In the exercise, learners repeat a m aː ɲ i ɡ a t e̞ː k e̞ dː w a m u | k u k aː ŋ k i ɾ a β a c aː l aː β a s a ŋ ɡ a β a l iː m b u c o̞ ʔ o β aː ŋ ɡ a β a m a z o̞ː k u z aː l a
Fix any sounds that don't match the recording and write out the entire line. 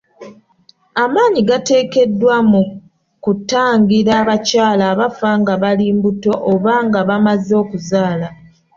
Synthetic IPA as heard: a m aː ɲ i ɡ a t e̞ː k e̞ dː w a m u | k u t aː ŋ ɡ i ɾ a β a c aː l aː β a f a ŋ ɡ a β a l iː m b u t o̞ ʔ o β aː ŋ ɡ a β a m a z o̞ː k u z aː l a